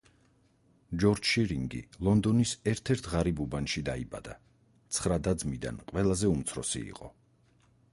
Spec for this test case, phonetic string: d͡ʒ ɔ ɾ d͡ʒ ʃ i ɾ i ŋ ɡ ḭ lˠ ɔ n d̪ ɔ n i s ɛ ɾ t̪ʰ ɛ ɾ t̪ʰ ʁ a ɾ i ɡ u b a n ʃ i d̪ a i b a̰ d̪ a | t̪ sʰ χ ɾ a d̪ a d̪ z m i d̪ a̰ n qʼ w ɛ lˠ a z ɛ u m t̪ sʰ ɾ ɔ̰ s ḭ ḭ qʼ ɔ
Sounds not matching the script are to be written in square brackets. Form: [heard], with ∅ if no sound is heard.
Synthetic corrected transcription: d͡ʒ ɔ ɾ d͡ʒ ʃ i ɾ i ŋ ɡ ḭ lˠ ɔ n d̪ ɔ n i s ɛ ɾ t̪ʰ ɛ ɾ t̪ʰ ʁ a ɾ i [b] u b a n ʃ i d̪ a i b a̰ d̪ a | t̪ sʰ χ ɾ a d̪ a d̪ z m i d̪ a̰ n qʼ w ɛ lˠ a z ɛ u m t̪ sʰ ɾ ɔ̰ s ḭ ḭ qʼ ɔ